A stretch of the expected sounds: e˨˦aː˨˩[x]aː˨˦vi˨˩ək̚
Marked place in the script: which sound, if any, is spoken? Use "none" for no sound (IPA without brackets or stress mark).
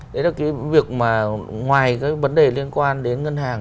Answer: k